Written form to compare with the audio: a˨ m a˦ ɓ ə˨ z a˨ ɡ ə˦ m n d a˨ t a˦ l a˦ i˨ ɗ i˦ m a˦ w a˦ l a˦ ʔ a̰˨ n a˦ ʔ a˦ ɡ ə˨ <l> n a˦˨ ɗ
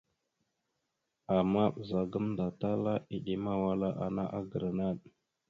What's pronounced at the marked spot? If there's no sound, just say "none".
ɾ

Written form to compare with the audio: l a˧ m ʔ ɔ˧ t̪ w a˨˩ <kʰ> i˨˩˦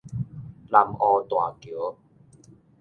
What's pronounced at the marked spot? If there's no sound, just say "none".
k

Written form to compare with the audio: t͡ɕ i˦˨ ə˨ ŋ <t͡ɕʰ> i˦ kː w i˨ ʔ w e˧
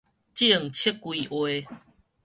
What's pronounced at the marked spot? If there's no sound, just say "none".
t͡ɕʰ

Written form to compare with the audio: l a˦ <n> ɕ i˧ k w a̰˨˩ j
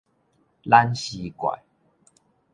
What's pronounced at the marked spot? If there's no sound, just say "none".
n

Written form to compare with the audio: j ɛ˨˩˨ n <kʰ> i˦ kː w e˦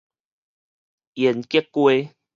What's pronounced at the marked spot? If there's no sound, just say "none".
k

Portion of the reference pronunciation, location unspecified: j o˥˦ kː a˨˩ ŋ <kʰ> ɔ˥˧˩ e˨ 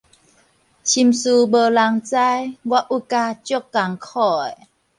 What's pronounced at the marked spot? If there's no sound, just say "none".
kʰ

